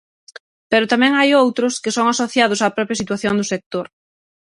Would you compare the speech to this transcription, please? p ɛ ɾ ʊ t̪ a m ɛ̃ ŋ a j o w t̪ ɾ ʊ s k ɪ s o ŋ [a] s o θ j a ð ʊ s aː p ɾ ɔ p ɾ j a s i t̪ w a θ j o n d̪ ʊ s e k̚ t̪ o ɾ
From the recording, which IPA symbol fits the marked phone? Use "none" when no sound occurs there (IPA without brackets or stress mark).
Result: a